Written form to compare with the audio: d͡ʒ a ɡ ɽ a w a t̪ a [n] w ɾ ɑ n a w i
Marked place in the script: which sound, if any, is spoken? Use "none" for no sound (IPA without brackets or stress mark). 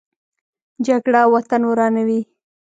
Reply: n